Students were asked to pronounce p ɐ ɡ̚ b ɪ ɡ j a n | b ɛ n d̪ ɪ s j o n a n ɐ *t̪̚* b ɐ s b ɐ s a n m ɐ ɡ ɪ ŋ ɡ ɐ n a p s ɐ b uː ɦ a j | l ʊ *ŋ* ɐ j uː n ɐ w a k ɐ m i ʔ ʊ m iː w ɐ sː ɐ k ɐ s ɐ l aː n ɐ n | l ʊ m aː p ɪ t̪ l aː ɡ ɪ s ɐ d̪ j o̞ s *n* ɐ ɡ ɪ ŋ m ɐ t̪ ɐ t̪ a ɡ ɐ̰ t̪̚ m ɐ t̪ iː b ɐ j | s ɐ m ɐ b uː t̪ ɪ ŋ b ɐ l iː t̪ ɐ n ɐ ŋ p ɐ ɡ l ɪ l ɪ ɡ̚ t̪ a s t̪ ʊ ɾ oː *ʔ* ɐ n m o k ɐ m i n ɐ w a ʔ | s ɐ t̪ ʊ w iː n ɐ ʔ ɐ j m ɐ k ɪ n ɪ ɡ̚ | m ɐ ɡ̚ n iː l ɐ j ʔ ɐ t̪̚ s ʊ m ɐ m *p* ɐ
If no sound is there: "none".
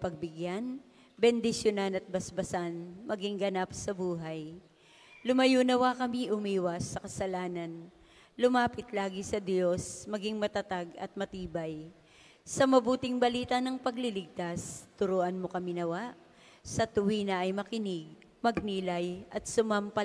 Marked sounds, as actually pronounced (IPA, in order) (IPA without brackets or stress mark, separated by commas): t̪̚, m, m, ʔ, p